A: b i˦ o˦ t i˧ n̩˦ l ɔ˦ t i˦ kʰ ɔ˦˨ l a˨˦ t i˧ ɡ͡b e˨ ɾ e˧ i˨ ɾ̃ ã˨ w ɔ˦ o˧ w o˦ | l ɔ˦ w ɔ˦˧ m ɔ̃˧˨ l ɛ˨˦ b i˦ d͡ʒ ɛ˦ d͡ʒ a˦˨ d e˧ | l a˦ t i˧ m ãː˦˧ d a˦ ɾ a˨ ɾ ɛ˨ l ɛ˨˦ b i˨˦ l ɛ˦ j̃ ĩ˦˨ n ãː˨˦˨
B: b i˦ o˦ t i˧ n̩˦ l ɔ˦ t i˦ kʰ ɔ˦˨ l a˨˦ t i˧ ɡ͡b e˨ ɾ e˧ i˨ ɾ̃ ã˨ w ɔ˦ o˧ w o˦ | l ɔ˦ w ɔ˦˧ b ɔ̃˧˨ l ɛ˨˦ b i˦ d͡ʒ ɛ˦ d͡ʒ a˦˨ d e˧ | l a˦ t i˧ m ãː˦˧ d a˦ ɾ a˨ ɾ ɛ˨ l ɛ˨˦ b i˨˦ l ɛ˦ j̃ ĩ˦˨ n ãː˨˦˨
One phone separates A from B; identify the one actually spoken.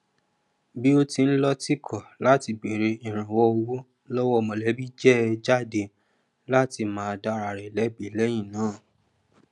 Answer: A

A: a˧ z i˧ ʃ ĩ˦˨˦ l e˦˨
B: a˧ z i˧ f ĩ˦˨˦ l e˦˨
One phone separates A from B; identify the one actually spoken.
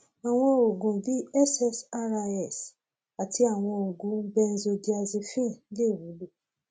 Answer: B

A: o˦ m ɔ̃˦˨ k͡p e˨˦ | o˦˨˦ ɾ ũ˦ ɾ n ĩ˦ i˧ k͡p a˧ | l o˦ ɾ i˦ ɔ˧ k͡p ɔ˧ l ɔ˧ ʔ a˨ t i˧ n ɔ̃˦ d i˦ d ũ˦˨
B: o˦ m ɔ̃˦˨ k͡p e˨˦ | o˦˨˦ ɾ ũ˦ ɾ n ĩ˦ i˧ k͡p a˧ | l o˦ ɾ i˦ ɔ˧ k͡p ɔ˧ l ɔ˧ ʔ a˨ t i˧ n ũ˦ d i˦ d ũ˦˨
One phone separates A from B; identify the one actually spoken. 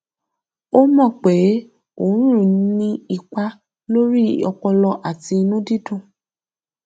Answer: B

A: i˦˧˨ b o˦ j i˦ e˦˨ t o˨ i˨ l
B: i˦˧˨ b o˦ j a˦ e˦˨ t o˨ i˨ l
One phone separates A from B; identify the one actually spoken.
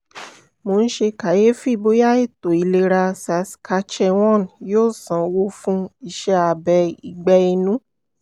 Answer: B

